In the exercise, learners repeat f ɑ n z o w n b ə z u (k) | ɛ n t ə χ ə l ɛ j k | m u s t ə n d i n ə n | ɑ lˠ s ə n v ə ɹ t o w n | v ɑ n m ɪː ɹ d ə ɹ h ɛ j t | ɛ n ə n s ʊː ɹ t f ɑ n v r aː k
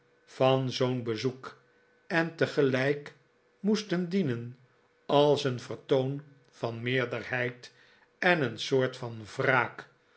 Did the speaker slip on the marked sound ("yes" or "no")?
no